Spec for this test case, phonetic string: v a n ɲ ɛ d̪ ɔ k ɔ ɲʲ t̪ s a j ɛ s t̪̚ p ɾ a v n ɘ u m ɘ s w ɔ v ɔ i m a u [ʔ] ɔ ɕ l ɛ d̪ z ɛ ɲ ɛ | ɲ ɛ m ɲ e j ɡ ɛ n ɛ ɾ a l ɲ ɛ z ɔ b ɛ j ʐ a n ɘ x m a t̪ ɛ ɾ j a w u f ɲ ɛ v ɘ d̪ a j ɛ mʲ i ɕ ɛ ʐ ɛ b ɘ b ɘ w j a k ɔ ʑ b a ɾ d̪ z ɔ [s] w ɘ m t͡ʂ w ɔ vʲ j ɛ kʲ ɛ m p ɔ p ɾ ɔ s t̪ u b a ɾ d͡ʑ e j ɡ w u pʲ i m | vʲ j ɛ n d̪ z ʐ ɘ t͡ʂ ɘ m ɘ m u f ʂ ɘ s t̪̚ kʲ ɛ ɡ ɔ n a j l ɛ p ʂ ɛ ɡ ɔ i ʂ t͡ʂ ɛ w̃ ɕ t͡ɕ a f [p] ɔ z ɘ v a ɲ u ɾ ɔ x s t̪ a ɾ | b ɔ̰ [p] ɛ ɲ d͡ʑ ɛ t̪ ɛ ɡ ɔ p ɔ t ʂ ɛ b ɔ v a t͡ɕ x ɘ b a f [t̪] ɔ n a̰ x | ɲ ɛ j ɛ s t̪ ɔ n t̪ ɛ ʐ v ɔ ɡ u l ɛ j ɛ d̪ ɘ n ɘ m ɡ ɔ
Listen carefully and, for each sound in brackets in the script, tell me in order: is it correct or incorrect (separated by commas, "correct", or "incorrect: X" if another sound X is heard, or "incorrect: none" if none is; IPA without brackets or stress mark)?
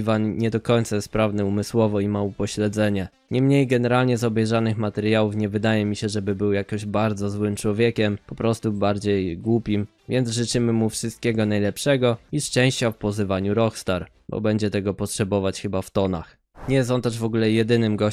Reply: incorrect: p, incorrect: z, correct, incorrect: b, correct